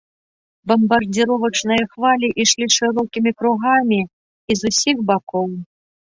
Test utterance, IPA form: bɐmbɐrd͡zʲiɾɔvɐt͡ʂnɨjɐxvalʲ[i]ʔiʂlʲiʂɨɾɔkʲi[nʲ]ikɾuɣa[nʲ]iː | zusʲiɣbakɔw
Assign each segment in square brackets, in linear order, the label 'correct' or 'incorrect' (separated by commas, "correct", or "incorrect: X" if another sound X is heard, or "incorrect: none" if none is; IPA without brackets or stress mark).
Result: correct, incorrect: mʲ, incorrect: mʲ